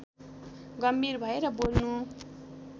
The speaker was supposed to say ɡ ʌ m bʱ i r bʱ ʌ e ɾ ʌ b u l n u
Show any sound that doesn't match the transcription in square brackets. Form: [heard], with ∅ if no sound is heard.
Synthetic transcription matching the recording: ɡ ʌ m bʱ i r bʱ ʌ e ɾ ʌ b [o] l n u